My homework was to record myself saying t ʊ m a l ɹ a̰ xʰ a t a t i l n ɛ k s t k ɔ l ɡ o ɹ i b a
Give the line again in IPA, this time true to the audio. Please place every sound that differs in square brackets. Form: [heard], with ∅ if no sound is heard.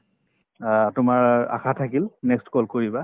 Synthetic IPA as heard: t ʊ m a [∅] ɹ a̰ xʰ a [tʰ] a [k] i l n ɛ k s t k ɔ l [k] o ɹ i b a